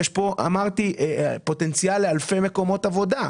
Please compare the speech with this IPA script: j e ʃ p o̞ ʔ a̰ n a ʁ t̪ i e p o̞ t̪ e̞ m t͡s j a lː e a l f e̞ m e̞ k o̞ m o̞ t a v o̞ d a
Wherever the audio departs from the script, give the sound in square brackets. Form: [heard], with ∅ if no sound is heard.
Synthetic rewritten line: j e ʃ p o̞ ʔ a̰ [m] a ʁ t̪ i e p o̞ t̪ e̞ [n] t͡s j a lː e a l f e̞ m e̞ k o̞ m o̞ t a v o̞ d a